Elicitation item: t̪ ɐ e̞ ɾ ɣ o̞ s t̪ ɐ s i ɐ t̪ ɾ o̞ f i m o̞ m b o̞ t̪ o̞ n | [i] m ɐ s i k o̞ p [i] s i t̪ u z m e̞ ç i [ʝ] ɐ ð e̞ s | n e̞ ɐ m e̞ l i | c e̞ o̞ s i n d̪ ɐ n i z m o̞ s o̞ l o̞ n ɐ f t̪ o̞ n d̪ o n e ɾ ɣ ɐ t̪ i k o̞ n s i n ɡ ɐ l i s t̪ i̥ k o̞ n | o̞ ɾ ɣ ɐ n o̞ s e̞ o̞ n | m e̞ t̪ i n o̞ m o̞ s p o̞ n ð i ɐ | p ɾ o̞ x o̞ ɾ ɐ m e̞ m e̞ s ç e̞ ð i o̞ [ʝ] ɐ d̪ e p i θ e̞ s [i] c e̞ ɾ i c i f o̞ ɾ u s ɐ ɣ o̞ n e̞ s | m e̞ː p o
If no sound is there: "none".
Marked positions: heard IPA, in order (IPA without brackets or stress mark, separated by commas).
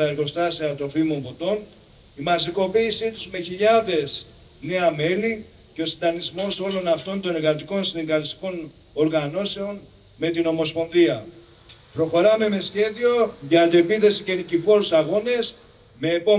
i, iː, ʎ, ʝ, i